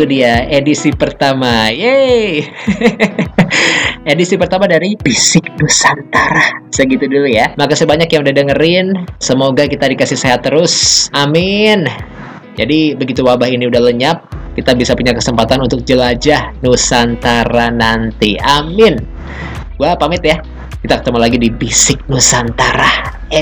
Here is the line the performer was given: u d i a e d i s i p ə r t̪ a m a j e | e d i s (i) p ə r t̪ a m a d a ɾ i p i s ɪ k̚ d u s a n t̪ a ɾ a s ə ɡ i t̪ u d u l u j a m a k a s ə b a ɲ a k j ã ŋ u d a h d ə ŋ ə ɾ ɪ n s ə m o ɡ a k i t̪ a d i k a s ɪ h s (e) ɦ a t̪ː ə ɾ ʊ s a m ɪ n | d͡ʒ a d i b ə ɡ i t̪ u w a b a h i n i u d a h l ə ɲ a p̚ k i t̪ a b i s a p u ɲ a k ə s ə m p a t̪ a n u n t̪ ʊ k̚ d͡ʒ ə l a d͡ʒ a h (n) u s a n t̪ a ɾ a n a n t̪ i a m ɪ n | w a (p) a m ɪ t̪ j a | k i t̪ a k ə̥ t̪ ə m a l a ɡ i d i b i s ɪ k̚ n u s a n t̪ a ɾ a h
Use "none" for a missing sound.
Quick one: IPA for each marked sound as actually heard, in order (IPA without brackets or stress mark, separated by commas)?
i, e, n, p